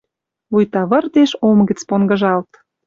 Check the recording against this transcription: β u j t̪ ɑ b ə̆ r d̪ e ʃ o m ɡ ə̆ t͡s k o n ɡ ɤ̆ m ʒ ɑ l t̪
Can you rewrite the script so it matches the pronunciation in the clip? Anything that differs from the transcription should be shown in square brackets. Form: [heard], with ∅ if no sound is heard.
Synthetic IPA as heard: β u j t̪ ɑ [β] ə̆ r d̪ e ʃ o m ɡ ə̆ t͡s [p] o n ɡ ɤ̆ [∅] ʒ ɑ l t̪